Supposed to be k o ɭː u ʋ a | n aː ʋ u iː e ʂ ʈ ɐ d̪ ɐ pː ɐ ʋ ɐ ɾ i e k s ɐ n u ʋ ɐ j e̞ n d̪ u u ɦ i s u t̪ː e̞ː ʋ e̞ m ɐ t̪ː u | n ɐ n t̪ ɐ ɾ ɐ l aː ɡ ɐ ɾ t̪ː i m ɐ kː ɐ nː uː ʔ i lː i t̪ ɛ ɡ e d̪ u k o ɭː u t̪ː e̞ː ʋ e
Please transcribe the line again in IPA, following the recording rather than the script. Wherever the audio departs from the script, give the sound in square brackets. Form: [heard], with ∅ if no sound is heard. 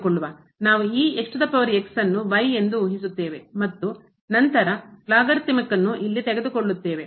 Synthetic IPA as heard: k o ɭː u ʋ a | n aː ʋ u iː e ʂ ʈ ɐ d̪ ɐ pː ɐ ʋ ɐ ɾ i e k s ɐ [nː] u ʋ ɐ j e̞ n d̪ u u ɦ i s u t̪ː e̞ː ʋ e̞ m ɐ t̪ː u | n ɐ n t̪ ɐ ɾ ɐ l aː ɡ ɐ ɾ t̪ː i m ɐ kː ɐ nː [u] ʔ i lː i t̪ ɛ ɡ e d̪ u k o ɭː u t̪ː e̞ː ʋ e

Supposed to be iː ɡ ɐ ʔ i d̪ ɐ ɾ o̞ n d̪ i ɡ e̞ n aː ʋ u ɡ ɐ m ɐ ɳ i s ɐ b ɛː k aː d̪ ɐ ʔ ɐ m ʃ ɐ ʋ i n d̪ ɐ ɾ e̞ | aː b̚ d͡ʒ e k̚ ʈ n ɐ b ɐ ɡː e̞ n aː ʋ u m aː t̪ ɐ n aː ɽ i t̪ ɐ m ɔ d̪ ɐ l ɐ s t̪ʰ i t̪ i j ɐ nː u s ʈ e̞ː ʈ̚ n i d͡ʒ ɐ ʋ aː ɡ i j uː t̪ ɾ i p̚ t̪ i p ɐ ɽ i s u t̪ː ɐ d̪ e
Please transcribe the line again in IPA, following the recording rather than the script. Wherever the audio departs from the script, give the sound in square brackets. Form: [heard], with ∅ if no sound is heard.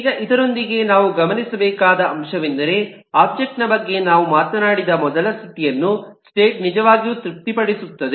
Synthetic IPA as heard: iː ɡ ɐ ʔ i d̪ ɐ ɾ o̞ n d̪ i ɡ e̞ n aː ʋ u ɡ ɐ m ɐ [n] i s ɐ b ɛː k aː d̪ ɐ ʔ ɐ m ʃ ɐ ʋ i n d̪ ɐ ɾ e̞ | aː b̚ d͡ʒ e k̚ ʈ n ɐ b ɐ ɡː e̞ n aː ʋ u m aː t̪ ɐ n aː ɽ i [d̪] ɐ m ɔ d̪ ɐ l ɐ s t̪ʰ i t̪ i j ɐ nː u s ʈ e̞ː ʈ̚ n i d͡ʒ ɐ ʋ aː ɡ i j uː t̪ ɾ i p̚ t̪ i p ɐ ɽ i s u t̪ː ɐ d̪ e

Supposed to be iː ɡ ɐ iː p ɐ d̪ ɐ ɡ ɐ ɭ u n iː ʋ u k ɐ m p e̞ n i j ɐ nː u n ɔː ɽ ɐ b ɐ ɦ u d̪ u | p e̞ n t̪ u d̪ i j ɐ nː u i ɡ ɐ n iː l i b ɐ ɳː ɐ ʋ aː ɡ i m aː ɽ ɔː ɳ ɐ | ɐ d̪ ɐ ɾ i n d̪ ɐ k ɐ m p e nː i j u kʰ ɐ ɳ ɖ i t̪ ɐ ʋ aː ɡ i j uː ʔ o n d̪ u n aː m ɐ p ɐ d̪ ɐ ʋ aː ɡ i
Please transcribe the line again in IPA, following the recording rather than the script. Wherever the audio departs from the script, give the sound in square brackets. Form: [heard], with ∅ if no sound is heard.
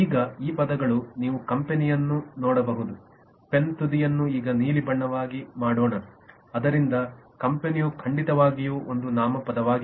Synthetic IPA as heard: iː ɡ ɐ iː p ɐ d̪ ɐ ɡ ɐ ɭ u n iː ʋ u k ɐ m p e̞ n i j ɐ nː u n ɔː ɽ ɐ b ɐ ɦ u d̪ u | p e̞ n t̪ u d̪ i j ɐ nː u [iː] ɡ ɐ n iː l i b ɐ ɳː ɐ ʋ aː ɡ i m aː ɽ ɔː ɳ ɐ | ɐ d̪ ɐ ɾ i n d̪ ɐ k ɐ m p e [n] i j u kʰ ɐ ɳ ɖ i t̪ ɐ ʋ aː ɡ i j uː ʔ o n d̪ u n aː m ɐ p ɐ d̪ ɐ ʋ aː ɡ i

